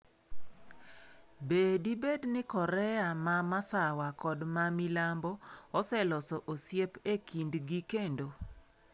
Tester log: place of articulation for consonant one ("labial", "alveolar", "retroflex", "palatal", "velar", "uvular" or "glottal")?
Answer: labial